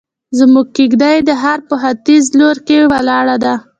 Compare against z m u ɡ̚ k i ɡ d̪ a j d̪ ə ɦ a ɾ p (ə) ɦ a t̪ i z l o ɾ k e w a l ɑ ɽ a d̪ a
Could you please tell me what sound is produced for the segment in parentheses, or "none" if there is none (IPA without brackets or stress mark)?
ə